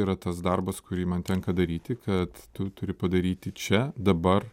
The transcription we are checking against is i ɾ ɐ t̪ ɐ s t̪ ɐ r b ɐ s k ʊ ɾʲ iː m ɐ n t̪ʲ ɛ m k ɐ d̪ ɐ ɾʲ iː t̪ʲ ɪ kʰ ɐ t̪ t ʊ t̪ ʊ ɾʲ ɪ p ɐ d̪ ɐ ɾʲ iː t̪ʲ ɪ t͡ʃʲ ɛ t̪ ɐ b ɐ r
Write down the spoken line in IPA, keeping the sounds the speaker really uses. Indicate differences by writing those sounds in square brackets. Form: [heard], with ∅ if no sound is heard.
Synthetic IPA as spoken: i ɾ ɐ t̪ ɐ s [d̪] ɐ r b ɐ s k ʊ ɾʲ iː m ɐ n t̪ʲ ɛ [ŋ] k ɐ d̪ ɐ ɾʲ iː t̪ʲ ɪ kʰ ɐ t̪ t ʊ t̪ ʊ ɾʲ ɪ p ɐ d̪ ɐ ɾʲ iː t̪ʲ ɪ t͡ʃʲ ɛ [d̪] ɐ b ɐ r